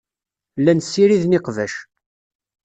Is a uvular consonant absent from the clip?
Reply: no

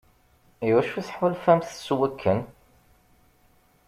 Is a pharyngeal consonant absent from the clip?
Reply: no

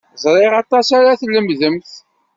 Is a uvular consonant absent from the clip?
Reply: no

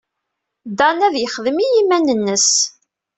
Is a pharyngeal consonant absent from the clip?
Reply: yes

